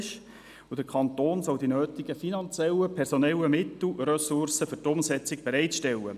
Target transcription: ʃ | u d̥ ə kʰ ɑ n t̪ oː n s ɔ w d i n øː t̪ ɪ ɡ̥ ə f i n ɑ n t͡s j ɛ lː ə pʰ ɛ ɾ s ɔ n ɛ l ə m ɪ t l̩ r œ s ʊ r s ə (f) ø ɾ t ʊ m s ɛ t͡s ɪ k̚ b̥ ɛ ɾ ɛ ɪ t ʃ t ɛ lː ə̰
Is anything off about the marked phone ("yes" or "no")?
no